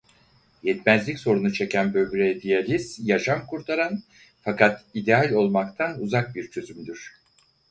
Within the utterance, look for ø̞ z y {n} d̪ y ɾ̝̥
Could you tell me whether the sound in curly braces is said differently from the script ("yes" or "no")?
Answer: yes